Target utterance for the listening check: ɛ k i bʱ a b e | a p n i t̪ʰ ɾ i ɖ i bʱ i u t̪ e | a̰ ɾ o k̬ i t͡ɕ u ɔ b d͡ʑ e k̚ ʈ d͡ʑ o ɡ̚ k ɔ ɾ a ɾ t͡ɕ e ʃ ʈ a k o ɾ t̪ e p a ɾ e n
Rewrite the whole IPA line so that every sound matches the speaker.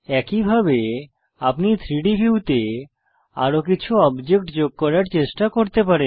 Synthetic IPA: ɛ k i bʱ a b e | a p n i t̪ʰ ɾ i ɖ i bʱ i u t̪ e | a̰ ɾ o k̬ i t͡ɕʰ u ɔ b d͡ʑ e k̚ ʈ d͡ʑ o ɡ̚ k ɔ ɾ a ɾ t͡ɕ e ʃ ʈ a k o ɾ t̪ e p a ɾ e n